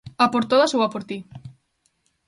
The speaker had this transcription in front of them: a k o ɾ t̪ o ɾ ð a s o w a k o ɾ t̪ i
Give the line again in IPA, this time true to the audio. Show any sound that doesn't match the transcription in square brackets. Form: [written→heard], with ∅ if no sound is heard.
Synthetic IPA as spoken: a [k→p] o ɾ t̪ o [ɾ→∅] ð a s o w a [k→p] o ɾ t̪ i